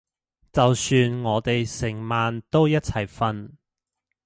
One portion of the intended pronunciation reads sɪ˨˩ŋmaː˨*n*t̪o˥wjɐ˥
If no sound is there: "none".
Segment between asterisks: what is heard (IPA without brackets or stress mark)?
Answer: n